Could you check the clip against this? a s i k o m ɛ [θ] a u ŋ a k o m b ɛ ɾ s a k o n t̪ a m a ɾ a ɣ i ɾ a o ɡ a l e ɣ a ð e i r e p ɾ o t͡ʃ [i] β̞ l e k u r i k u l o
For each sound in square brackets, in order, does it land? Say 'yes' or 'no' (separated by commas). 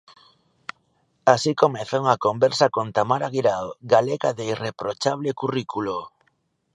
yes, no